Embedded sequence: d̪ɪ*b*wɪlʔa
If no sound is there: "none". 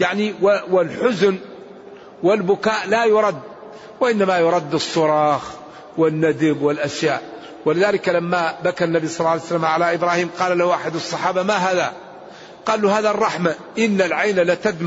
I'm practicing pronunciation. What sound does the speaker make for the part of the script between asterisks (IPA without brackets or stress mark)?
b